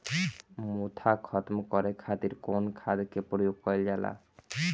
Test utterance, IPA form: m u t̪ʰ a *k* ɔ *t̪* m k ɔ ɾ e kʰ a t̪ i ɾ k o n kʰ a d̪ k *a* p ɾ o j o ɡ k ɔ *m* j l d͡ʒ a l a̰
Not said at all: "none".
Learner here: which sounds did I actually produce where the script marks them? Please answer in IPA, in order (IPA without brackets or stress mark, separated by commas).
kʰ, t̪, e, none